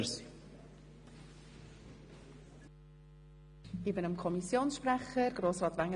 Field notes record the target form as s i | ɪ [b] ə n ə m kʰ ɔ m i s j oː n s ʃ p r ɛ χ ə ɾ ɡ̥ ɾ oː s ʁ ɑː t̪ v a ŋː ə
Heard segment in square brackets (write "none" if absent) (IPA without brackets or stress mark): b